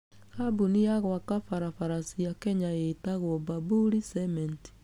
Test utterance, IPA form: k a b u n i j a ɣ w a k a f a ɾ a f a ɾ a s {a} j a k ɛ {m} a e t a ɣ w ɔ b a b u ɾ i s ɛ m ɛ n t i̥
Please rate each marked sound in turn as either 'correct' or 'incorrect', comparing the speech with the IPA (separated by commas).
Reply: incorrect, incorrect